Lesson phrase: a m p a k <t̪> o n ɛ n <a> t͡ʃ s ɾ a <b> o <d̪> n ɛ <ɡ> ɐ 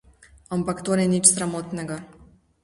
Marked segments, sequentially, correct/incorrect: correct, incorrect: i, incorrect: m, incorrect: t̪, correct

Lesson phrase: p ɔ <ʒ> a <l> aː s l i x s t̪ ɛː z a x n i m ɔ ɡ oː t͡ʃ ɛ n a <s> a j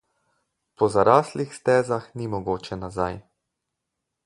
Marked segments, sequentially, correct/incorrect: incorrect: z, incorrect: ɾ, incorrect: z

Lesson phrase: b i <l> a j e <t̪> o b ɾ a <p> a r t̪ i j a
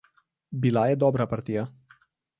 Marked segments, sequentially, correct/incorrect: correct, incorrect: d̪, correct

